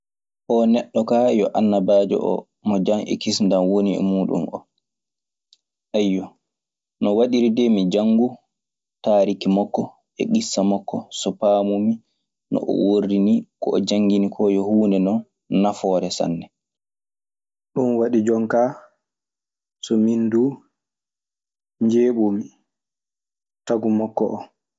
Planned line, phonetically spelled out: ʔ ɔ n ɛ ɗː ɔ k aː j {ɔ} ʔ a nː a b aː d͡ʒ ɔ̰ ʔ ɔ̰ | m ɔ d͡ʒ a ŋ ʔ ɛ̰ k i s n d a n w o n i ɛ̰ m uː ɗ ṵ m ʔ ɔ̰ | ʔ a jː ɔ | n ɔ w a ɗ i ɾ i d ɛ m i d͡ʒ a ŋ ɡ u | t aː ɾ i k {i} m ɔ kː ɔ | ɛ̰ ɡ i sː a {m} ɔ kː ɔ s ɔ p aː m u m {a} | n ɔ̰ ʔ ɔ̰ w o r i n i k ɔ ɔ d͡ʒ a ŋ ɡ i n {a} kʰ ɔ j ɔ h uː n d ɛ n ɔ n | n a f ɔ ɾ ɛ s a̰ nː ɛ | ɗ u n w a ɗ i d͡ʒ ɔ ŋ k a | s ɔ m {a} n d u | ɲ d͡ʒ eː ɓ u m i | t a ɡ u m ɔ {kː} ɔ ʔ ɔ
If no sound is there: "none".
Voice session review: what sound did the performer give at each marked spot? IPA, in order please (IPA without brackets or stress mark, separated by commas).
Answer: ɔ, i, m, i, i, i, kː